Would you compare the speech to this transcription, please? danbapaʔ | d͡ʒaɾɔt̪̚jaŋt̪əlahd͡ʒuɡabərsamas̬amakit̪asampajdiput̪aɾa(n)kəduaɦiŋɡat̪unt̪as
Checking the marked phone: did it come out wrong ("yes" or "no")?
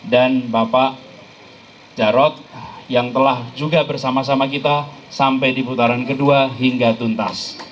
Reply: no